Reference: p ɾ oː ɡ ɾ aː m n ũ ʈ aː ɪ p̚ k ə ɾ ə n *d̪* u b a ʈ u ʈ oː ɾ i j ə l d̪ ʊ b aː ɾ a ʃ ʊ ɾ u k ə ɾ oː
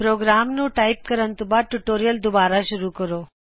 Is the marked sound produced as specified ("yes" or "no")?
no